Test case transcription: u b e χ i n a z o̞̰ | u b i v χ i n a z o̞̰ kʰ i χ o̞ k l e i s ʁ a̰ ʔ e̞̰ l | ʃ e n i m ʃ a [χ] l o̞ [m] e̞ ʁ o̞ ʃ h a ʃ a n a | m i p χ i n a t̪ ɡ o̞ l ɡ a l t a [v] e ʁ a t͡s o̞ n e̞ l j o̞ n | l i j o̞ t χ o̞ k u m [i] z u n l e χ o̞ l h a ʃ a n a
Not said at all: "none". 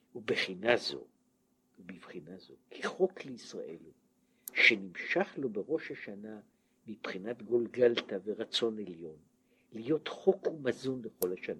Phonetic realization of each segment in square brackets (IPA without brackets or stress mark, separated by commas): χ, b, v, a